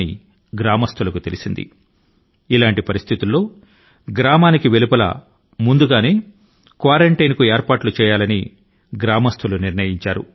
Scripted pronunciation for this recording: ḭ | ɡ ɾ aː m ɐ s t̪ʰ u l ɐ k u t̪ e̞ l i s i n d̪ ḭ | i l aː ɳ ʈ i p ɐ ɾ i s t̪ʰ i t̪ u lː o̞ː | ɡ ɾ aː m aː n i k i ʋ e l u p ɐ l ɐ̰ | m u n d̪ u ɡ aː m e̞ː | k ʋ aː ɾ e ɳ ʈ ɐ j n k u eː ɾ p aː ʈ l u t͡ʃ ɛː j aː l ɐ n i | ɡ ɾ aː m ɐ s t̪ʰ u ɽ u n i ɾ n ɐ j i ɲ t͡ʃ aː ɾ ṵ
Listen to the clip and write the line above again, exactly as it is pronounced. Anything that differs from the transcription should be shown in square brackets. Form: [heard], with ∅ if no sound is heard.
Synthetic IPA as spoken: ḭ | ɡ ɾ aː m ɐ s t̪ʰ u l ɐ k u t̪ e̞ l i s i n d̪ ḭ | i l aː ɳ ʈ i p ɐ ɾ i s t̪ʰ i t̪ u lː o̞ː | ɡ ɾ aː m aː n i k i ʋ e l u p ɐ l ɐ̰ | m u n d̪ u ɡ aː [n] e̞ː | k ʋ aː ɾ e ɳ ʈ ɐ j n k u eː ɾ p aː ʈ l u t͡ʃ ɛː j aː l ɐ n i | ɡ ɾ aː m ɐ s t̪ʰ u [l] u n i ɾ n ɐ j i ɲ t͡ʃ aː ɾ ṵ

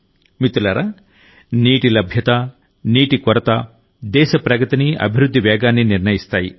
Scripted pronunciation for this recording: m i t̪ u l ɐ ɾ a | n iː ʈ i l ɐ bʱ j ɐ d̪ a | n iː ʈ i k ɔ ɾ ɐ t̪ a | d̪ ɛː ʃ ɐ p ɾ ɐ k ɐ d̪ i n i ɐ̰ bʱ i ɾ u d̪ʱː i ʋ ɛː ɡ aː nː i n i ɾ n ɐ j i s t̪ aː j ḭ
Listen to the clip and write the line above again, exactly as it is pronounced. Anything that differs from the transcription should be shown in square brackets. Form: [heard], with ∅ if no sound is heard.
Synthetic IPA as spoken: m i t̪ u l ɐ ɾ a | n iː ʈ i l ɐ bʱ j ɐ [t̪] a | n iː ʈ i k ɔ ɾ ɐ t̪ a | d̪ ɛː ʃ ɐ p ɾ ɐ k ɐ [t̪] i n i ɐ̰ bʱ i ɾ u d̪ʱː i ʋ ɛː ɡ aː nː i n i ɾ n ɐ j i s t̪ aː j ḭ

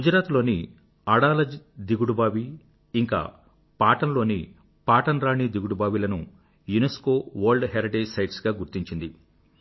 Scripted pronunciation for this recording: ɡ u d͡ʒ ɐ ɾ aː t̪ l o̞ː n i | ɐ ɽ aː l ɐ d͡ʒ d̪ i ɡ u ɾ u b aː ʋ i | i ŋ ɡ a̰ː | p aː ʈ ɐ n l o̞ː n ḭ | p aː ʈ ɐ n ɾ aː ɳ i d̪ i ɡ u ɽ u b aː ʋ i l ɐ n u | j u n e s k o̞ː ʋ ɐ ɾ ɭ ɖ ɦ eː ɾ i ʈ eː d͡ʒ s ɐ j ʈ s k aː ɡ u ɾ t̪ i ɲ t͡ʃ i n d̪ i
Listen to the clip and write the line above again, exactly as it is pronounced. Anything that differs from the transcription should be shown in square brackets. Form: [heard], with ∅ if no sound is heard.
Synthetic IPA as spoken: ɡ u d͡ʒ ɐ ɾ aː t̪ l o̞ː n i | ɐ ɽ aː l ɐ d͡ʒ d̪ i ɡ u [ɽ] u b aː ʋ i | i ŋ [k] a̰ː | p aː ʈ ɐ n l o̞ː n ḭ | p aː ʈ ɐ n ɾ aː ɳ i d̪ i ɡ u ɽ u b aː ʋ i l ɐ n u | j u n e s k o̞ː ʋ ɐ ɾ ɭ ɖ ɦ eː ɾ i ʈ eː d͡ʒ s ɐ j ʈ s [ɡ] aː ɡ u ɾ t̪ i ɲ t͡ʃ i n d̪ i

